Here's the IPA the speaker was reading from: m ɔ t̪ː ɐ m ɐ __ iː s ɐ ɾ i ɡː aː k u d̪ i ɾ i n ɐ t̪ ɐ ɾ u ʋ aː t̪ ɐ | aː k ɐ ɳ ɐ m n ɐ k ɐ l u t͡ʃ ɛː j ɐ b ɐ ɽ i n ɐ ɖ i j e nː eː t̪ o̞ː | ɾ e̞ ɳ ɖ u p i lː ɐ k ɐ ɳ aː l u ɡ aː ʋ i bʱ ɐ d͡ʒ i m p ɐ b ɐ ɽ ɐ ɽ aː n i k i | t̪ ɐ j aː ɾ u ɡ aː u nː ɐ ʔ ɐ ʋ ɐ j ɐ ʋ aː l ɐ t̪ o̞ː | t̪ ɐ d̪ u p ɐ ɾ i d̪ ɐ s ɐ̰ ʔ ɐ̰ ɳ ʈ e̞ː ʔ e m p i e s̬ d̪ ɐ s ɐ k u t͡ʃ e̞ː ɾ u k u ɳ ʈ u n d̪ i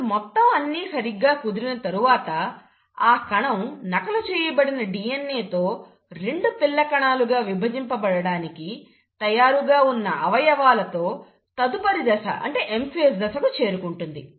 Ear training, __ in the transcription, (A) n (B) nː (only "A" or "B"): B